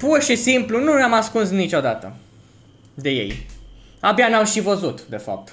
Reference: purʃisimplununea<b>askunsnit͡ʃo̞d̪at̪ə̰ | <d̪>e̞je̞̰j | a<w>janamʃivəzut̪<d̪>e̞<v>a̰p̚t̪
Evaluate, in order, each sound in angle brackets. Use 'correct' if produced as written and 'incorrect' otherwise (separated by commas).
incorrect, correct, incorrect, correct, incorrect